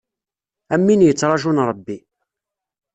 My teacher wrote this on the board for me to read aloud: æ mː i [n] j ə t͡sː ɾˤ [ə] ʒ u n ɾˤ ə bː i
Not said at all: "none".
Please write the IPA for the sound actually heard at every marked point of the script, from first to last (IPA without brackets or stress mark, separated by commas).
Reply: n, ɑ